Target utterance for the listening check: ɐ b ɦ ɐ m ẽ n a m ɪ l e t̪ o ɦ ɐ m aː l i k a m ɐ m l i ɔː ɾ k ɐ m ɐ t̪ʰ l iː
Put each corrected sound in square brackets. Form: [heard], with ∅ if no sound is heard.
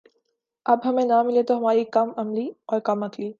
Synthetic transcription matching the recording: ɐ b ɦ ɐ m ẽ n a m ɪ l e t̪ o ɦ ɐ m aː [ɾ] i k [ɐ] m ɐ m l i ɔː ɾ k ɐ m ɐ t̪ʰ l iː